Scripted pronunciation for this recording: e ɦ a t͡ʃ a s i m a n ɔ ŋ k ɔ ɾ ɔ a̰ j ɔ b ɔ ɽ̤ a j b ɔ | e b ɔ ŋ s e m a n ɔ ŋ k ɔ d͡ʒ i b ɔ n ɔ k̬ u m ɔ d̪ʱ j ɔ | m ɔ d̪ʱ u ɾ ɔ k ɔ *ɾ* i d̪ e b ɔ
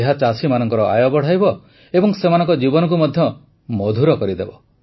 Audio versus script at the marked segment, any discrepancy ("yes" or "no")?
no